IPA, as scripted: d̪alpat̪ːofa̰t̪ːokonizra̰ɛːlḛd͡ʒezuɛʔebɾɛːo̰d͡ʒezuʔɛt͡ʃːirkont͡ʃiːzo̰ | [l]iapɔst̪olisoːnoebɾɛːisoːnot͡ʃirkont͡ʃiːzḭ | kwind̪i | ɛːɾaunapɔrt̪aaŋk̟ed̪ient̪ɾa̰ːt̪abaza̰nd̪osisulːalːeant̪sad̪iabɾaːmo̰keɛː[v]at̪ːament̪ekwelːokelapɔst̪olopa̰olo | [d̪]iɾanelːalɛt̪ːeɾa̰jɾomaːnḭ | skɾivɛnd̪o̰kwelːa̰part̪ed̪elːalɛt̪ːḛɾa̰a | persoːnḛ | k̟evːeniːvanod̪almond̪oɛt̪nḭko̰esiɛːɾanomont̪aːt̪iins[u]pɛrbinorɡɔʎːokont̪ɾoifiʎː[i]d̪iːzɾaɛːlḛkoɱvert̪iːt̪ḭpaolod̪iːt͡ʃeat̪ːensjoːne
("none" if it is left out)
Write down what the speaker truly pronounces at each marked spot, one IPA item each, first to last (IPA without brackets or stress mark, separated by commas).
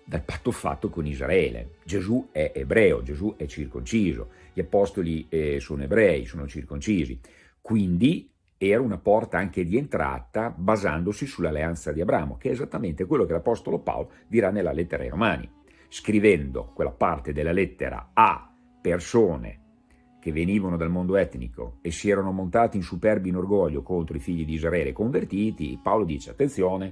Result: ʎ, z, d̪, u, i